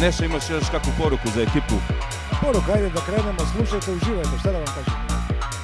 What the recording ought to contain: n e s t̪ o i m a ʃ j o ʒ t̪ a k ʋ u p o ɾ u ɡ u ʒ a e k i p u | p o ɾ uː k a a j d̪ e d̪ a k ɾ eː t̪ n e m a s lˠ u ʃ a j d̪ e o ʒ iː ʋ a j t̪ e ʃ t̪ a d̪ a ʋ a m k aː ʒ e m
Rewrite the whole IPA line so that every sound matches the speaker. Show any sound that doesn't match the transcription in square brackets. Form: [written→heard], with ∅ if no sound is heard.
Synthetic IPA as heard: n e [s→ʃ] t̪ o i m a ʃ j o [ʒ→ʃ] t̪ a k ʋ u p o ɾ u [ɡ→k] u [ʒ→z] a e k i p u | p o ɾ [uː→u] k a a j d̪ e d̪ a k ɾ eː [t̪→∅] n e m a s lˠ u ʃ a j [d̪→t̪] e [o→u] ʒ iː ʋ a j t̪ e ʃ t̪ a d̪ a ʋ a m k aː ʒ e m